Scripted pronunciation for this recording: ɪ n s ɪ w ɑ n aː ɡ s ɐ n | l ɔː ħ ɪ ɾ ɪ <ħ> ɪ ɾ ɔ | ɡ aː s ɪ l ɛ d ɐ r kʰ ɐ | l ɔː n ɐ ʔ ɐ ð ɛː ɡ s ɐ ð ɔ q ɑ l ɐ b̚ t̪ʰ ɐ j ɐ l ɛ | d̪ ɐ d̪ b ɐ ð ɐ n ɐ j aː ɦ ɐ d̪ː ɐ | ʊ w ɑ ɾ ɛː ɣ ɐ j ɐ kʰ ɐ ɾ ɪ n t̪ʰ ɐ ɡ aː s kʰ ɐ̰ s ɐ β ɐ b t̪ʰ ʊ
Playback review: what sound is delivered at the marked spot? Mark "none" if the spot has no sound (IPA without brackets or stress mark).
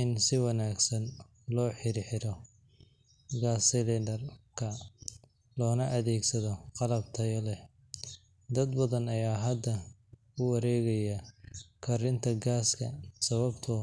ħ